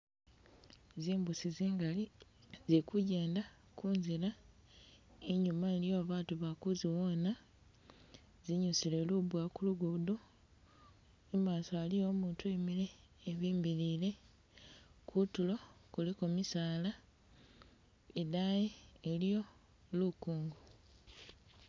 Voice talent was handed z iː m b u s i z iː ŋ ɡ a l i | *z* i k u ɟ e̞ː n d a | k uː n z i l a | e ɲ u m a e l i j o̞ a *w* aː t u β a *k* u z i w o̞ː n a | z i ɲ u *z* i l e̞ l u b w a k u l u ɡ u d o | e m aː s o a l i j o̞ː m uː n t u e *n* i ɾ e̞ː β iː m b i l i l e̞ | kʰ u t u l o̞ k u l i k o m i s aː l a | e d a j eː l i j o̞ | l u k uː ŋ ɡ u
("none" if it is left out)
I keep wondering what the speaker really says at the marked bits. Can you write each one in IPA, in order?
z, β, k, s, m

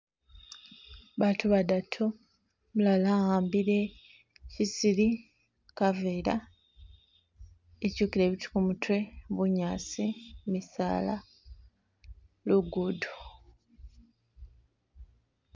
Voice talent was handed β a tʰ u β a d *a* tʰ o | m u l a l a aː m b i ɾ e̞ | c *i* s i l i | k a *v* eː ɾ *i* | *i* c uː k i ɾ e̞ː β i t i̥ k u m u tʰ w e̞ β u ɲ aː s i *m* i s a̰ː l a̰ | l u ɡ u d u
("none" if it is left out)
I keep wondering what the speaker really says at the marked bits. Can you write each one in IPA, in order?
a, i, v, a, e, m

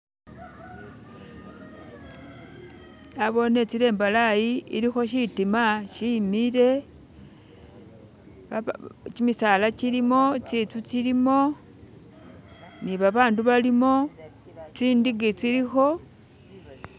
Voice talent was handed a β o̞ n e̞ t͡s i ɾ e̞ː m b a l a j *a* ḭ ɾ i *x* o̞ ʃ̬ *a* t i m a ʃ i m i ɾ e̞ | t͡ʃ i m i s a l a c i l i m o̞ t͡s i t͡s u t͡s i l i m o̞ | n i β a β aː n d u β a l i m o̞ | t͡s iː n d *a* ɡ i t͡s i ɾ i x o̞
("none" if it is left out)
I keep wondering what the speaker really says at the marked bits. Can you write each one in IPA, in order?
i, x, i, i

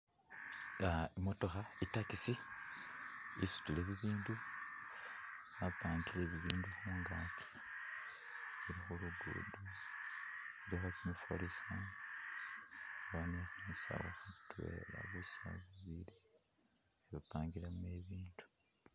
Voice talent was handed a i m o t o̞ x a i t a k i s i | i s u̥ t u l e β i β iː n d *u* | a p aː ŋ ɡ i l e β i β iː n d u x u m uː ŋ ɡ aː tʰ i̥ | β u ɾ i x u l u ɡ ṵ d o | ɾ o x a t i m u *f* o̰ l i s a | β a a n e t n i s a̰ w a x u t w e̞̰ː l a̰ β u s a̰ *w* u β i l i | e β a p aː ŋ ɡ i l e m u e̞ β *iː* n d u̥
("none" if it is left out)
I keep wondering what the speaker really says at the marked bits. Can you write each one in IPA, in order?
u, f, β, iː

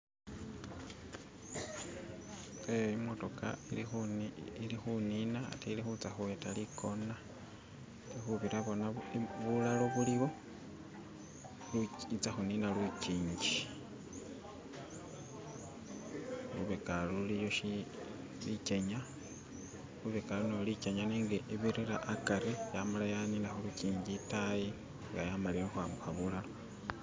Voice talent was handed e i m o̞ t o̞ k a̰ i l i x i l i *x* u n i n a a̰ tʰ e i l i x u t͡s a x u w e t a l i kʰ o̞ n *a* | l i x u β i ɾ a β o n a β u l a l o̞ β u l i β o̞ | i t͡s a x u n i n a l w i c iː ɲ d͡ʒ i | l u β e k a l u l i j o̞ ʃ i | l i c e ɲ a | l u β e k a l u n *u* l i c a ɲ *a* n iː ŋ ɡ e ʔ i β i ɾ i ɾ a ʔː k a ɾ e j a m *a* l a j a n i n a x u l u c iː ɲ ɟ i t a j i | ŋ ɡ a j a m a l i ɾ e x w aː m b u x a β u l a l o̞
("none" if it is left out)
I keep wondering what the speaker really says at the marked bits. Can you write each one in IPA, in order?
x, a, o, a, a

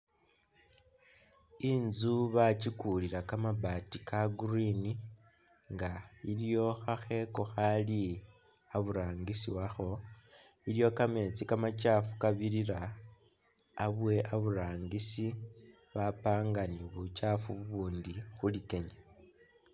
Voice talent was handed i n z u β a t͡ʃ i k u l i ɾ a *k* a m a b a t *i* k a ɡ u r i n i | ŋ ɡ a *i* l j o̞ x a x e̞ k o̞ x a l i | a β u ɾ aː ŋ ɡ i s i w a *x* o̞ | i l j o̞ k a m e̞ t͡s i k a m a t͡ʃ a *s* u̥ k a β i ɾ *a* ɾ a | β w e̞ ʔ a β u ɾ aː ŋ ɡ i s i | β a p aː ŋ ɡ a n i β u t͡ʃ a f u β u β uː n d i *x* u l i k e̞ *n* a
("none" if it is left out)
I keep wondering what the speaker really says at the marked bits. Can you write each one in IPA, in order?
k, i, i, x, f, i, x, ɲ

